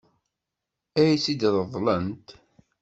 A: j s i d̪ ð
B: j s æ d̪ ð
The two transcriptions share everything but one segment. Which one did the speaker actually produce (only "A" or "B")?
A